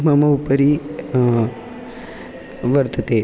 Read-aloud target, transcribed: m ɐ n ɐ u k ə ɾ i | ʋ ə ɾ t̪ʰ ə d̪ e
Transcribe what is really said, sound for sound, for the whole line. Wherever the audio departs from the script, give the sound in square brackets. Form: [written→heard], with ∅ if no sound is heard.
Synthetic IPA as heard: m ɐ [n→m] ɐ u [k→p] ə ɾ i | ʋ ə ɾ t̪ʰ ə [d̪→t̪] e